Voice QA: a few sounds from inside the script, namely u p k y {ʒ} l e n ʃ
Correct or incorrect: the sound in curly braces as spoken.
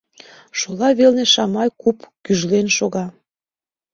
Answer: correct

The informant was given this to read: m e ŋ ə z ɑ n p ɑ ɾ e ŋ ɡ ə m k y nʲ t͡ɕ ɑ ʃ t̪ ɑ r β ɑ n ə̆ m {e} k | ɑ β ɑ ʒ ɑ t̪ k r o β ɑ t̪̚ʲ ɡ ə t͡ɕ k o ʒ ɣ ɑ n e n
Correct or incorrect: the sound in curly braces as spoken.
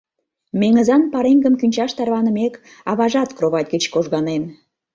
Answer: correct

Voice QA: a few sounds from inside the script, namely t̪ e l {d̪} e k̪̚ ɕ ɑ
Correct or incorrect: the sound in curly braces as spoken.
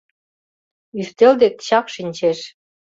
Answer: correct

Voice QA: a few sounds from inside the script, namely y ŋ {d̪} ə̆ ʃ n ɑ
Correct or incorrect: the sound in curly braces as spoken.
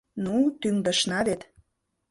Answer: correct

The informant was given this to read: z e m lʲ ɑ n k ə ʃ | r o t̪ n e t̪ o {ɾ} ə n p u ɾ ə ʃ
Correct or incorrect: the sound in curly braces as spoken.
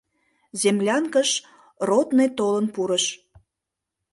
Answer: incorrect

